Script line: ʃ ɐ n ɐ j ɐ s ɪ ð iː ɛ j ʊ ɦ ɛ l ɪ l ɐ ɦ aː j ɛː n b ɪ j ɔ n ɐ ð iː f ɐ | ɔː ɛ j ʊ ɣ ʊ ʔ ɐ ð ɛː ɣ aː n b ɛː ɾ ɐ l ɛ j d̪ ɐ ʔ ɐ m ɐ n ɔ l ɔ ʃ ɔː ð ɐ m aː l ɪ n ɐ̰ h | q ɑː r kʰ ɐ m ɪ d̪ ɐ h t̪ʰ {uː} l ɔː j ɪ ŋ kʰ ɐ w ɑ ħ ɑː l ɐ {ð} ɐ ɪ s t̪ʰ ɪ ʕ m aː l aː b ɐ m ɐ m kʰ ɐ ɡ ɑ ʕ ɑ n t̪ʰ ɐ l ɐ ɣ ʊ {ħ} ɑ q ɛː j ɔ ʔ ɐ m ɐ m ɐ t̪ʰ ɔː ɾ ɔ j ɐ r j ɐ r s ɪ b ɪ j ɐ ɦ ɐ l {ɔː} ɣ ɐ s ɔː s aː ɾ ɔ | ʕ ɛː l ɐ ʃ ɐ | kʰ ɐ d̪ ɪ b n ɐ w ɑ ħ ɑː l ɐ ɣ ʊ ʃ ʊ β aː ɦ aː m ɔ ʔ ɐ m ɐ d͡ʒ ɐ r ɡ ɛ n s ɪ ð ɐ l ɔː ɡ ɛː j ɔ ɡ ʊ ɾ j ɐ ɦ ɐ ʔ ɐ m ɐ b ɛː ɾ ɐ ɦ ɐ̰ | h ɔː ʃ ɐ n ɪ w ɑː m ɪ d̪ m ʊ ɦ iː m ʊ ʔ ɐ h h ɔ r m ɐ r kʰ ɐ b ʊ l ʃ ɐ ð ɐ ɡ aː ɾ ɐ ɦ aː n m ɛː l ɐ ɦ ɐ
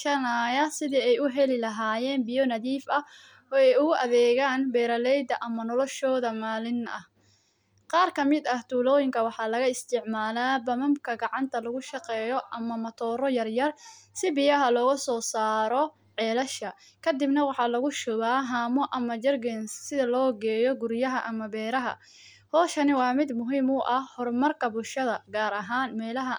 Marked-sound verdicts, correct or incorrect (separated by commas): correct, incorrect, incorrect, correct